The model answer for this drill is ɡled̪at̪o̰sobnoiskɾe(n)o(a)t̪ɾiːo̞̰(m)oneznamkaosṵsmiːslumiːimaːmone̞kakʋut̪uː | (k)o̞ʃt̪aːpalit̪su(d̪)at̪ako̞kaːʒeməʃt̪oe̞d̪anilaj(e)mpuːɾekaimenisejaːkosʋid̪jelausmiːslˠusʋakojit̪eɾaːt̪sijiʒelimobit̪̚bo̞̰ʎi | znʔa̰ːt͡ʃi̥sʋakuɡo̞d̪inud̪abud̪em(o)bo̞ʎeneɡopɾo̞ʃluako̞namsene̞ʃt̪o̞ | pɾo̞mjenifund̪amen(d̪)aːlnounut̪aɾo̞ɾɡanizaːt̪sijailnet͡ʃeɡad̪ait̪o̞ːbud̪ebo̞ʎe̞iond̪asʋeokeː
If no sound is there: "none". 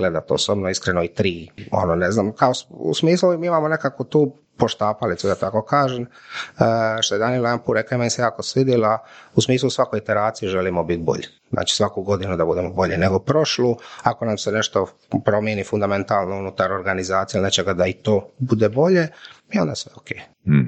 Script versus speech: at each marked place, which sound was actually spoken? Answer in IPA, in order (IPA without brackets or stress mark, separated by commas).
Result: n, i, n, p, d̪, a, o, t̪